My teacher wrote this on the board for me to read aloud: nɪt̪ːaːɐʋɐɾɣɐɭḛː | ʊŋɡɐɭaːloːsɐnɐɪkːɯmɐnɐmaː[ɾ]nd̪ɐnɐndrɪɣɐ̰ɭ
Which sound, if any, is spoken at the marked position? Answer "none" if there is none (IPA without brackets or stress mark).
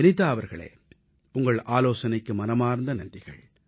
ɾ